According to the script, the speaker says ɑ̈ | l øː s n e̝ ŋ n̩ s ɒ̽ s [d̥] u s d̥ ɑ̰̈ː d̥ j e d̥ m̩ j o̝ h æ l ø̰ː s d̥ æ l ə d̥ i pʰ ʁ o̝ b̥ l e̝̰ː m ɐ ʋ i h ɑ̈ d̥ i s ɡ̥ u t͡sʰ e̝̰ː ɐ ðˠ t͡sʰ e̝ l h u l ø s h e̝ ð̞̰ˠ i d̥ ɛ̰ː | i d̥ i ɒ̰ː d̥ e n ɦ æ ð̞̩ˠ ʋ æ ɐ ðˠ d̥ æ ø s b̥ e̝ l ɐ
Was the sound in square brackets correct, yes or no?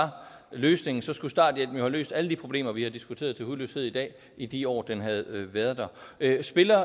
no